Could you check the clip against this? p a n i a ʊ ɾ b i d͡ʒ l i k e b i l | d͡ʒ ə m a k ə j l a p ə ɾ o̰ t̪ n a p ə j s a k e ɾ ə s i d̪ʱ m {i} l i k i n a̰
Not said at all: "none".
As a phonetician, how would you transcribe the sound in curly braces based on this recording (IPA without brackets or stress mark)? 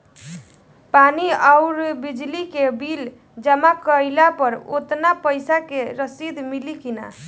i